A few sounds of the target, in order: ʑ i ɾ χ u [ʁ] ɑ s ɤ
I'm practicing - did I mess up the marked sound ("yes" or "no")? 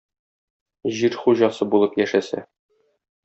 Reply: yes